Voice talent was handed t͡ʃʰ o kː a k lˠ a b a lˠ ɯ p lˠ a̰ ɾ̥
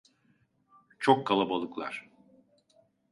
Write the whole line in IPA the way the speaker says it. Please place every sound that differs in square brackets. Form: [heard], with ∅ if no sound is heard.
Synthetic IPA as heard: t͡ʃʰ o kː a [∅] lˠ a b a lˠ ɯ [k] lˠ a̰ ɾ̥